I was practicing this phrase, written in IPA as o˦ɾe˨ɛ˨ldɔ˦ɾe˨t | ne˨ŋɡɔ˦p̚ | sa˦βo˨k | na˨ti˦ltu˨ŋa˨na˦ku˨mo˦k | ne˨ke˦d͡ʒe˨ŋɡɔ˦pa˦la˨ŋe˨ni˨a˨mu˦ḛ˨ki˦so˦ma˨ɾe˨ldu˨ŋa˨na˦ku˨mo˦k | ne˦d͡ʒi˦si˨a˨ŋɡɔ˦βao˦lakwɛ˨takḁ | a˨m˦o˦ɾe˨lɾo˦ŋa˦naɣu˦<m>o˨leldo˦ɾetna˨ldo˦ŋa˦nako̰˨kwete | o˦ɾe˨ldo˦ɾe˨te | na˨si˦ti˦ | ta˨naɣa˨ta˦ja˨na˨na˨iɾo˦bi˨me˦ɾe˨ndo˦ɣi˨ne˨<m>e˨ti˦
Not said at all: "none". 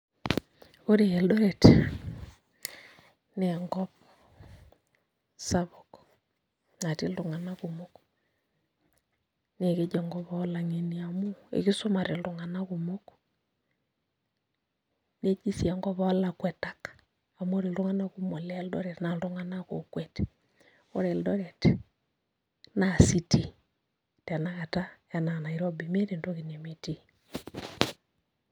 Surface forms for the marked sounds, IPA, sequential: m, m

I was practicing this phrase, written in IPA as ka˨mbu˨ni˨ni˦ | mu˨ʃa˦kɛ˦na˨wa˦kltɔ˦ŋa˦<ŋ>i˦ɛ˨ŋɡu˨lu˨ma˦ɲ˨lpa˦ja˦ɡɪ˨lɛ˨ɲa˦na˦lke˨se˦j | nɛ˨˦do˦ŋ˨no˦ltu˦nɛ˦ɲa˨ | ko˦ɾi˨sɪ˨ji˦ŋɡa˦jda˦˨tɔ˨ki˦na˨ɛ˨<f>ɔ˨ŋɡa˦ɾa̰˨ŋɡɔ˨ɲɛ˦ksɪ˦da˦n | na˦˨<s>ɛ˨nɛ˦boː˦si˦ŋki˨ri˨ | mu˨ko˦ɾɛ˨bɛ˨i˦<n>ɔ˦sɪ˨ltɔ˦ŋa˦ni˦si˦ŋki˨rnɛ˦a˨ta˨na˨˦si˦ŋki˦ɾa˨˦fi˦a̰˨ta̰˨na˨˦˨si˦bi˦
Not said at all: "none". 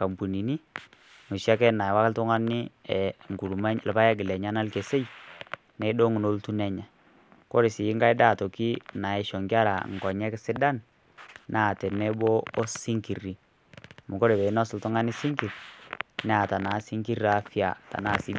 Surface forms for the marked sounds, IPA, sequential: n, ʃ, t, n

